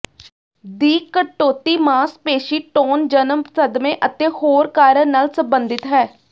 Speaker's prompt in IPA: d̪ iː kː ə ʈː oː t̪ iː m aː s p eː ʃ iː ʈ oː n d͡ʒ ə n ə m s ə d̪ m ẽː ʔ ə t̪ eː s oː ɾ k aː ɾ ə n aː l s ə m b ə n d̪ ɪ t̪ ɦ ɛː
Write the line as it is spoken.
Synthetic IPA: d̪ iː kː ə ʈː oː t̪ iː m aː s p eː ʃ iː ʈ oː n d͡ʒ ə n ə m s ə d̪ m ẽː ʔ ə t̪ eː h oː ɾ k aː ɾ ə n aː l s ə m b ə n d̪ ɪ t̪ ɦ ɛː